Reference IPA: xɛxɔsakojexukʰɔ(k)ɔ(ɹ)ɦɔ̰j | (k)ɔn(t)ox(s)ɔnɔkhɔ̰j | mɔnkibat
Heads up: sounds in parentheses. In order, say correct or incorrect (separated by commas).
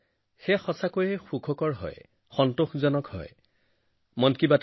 correct, correct, incorrect, correct, incorrect